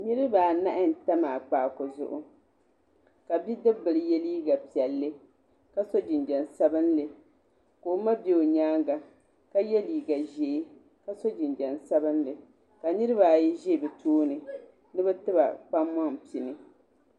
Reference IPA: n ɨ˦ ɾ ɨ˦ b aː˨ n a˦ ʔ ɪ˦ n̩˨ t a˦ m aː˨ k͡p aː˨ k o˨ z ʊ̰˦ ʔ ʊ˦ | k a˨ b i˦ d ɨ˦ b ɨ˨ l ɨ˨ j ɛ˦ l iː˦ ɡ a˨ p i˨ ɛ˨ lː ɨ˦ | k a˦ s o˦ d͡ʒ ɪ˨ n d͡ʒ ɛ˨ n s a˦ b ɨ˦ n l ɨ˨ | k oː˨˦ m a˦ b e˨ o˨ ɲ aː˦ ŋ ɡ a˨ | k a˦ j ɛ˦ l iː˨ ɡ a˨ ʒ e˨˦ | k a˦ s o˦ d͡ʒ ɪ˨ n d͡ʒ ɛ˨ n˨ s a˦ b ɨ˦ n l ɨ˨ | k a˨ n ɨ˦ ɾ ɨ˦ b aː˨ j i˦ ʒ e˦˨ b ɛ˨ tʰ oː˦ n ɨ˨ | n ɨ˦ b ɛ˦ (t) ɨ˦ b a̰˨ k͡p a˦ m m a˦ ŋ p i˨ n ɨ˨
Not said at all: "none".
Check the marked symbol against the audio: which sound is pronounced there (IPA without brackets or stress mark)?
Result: t